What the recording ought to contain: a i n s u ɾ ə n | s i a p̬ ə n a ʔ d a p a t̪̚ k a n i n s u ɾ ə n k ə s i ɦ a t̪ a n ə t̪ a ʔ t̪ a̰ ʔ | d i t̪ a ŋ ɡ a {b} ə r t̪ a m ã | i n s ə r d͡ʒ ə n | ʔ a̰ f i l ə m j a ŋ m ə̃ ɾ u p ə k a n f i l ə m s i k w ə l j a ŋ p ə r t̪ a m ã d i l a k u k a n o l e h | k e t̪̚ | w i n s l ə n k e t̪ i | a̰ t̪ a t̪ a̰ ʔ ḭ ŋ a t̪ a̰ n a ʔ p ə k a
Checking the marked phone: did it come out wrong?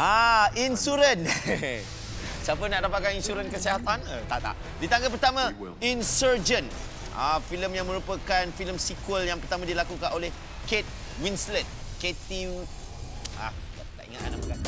yes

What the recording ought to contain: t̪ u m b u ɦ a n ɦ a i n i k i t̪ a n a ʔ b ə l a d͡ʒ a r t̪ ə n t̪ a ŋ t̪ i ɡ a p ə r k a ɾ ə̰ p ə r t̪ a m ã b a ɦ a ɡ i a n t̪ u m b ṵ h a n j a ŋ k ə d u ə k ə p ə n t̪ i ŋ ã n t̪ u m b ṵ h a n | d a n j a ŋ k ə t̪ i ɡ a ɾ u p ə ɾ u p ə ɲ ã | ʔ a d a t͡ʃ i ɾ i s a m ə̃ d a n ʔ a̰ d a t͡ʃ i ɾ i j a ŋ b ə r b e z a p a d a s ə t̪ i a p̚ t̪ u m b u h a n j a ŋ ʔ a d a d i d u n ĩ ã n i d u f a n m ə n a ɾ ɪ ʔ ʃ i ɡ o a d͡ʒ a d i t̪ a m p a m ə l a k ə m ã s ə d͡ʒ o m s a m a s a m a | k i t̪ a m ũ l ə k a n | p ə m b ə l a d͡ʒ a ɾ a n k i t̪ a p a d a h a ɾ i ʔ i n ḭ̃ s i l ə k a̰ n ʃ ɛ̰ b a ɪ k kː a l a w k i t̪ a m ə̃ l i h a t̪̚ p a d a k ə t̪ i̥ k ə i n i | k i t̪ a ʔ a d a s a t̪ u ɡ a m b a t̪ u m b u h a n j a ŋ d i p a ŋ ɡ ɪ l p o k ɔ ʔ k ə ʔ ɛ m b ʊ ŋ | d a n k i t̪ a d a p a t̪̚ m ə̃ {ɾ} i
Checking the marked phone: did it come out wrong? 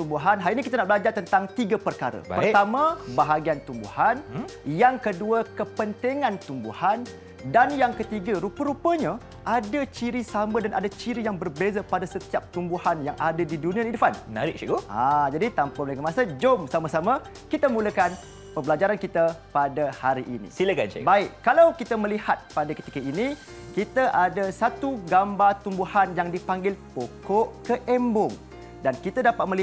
yes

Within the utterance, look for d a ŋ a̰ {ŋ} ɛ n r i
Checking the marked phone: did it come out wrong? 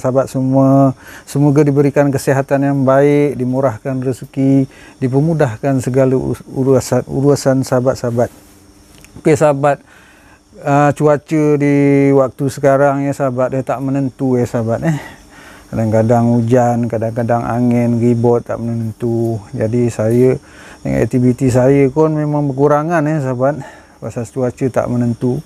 no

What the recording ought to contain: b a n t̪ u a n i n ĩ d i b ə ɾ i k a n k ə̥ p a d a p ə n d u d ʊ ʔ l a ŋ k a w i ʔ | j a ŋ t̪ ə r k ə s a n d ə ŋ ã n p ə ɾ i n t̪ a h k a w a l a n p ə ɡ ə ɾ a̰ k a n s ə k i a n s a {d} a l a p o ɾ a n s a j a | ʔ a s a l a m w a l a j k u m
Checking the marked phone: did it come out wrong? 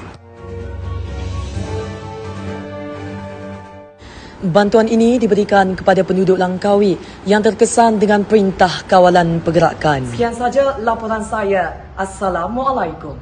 yes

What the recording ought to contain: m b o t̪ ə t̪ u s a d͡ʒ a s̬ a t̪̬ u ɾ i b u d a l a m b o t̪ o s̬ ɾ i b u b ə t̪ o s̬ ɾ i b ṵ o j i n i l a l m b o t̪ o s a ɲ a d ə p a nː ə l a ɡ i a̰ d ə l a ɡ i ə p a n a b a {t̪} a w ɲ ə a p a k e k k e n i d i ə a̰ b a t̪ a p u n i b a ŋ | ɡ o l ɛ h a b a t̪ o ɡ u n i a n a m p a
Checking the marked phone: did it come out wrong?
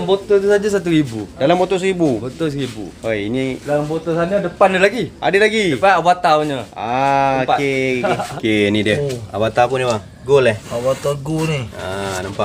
no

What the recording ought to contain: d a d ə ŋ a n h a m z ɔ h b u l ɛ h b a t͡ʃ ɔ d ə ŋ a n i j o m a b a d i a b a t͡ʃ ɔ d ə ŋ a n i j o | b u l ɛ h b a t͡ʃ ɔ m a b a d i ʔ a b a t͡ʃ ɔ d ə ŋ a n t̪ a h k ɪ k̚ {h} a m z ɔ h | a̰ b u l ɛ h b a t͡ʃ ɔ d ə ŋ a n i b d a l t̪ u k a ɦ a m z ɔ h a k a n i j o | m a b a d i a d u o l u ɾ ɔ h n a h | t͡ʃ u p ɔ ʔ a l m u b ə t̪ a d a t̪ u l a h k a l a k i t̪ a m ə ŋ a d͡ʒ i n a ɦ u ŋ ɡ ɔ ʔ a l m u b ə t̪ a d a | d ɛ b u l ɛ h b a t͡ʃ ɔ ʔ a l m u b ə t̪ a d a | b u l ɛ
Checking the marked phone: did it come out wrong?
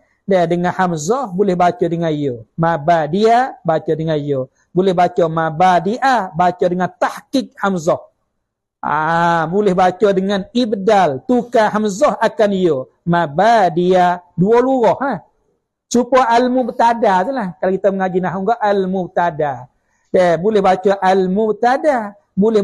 no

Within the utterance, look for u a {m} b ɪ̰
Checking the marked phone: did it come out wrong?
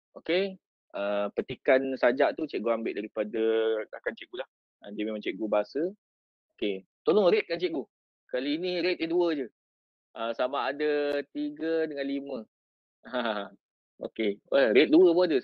no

